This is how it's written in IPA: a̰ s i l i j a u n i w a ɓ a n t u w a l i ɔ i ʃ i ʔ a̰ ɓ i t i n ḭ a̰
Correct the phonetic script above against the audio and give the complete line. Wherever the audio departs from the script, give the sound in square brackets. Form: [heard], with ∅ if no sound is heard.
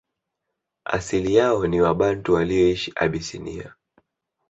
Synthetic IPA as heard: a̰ s i l i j a [ɔ] n i w a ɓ a n t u w a l i ɔ i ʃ i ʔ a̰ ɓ i [s] i n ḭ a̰